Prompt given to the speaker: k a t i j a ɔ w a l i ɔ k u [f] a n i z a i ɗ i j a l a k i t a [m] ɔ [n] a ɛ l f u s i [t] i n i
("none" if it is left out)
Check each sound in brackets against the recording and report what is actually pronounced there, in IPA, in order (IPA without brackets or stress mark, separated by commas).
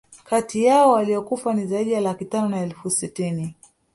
f, n, n, t